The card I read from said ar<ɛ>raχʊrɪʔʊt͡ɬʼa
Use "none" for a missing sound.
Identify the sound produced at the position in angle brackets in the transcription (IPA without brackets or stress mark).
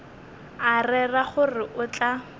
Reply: ɛ